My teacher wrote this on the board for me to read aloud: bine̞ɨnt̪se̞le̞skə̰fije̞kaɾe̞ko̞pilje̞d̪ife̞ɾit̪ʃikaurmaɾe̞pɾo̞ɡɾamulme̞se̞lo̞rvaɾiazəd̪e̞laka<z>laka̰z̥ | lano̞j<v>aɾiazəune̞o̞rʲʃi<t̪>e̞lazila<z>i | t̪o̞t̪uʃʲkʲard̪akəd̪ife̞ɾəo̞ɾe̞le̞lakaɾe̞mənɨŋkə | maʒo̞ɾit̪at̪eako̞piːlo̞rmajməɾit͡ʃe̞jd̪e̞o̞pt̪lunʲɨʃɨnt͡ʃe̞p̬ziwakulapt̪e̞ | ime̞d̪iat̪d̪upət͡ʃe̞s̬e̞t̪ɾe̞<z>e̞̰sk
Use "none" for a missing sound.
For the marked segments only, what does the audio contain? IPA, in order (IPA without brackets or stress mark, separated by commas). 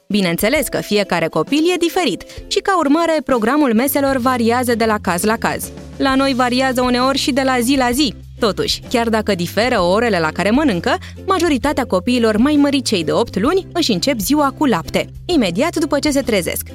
z, v, d̪, z, z